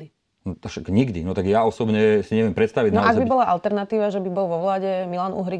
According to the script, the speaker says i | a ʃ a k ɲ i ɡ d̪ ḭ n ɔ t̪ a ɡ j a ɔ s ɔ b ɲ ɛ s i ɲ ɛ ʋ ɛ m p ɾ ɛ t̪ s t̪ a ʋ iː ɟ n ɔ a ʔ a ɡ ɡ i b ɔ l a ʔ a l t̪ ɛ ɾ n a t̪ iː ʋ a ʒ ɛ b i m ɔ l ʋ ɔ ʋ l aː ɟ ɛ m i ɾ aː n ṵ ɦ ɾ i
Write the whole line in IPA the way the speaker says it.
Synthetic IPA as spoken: i | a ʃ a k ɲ i ɡ d̪ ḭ n ɔ t̪ a ɡ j a ɔ s ɔ b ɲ ɛ s i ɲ ɛ ʋ ɛ m p ɾ ɛ t̪ s t̪ a ʋ i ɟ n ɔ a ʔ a ɡ b i b ɔ l a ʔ a l t̪ ɛ ɾ n a t̪ iː ʋ a ʒ ɛ b i b ɔ l ʋ ɔ ʋ l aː ɟ ɛ m i l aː n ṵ ɦ ɾ i